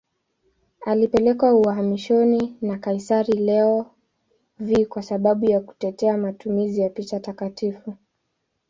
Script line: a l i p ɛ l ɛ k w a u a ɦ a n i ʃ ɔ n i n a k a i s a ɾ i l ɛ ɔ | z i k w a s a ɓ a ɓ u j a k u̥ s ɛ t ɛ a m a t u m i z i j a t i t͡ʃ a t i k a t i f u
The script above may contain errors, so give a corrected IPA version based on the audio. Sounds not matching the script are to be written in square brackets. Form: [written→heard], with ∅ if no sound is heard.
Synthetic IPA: a l i p ɛ l ɛ k w a u a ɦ a [n→m] i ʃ ɔ n i n a k a i s a ɾ i l ɛ ɔ | [z→v] i k w a s a ɓ a ɓ u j a k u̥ [s→t] ɛ t ɛ a m a t u m i z i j a [t→p] i t͡ʃ a t [i→a] k a t i f u

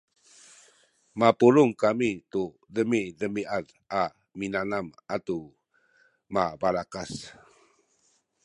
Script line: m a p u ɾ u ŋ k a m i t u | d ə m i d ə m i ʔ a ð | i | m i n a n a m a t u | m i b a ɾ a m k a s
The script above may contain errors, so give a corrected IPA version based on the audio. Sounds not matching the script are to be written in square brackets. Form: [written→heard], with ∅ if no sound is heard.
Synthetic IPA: m a p u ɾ u ŋ k a m i t u | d ə m i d ə m i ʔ a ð | [i→a] | m i n a n a m a t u | m [i→a] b a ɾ a [m→∅] k a s

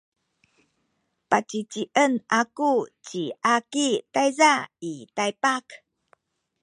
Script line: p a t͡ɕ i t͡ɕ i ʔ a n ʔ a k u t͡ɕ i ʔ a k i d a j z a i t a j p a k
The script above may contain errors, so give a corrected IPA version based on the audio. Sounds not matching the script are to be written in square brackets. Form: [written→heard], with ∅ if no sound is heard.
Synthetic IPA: p a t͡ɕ i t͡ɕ i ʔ [a→ə] n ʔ a k u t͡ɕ i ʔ a k i [d→t] a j z a i t a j p a k

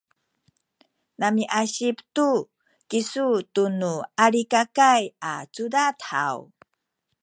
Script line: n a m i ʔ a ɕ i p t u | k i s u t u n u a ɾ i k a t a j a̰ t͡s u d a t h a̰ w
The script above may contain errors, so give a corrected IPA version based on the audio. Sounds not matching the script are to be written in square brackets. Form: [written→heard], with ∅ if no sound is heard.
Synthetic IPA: n a m i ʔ a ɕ i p t u | k i s u t u n u a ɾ i k a [t→k] a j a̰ t͡s u d a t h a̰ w

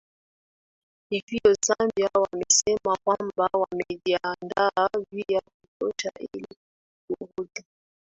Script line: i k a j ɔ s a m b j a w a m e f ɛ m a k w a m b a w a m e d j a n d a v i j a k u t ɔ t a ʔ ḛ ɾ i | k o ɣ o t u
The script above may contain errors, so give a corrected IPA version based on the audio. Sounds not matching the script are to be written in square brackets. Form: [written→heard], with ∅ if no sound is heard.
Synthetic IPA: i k [a→i] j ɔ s a m b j a w a m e [f→s] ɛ m a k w a m b a w a m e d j a n d a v i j a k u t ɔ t a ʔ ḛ [ɾ→l] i | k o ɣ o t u

